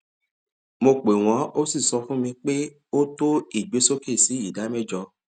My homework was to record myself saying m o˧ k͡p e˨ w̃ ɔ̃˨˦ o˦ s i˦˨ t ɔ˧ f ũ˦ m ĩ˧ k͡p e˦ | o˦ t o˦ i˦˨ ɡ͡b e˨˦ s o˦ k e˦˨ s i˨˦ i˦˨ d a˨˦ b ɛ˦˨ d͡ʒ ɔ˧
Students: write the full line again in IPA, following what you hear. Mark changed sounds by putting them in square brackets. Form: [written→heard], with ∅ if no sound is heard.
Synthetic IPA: m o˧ k͡p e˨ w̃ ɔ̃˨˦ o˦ s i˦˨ [t→s] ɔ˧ f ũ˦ m ĩ˧ k͡p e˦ | o˦ t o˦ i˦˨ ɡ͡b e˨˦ s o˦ k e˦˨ s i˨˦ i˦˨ d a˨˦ [b→m] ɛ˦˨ d͡ʒ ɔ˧